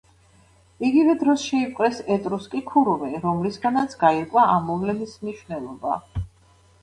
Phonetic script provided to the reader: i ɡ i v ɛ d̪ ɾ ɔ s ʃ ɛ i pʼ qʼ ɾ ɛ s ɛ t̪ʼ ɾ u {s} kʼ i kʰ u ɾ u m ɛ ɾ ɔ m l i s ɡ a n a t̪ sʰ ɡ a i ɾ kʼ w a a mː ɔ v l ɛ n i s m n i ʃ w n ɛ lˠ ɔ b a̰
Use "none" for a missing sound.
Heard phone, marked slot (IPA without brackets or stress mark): s